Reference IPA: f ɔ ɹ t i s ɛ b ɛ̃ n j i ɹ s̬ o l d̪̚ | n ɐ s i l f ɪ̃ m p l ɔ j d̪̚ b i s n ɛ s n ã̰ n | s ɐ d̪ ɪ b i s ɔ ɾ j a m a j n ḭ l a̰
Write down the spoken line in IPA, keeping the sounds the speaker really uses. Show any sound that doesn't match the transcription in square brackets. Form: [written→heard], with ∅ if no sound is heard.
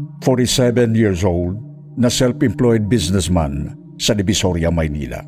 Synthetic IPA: f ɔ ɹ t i s ɛ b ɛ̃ n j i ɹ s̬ o l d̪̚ | n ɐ s [i→ɛ] l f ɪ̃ m p l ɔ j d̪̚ b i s n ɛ s [n→m] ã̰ n | s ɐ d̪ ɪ b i s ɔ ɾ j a m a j n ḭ l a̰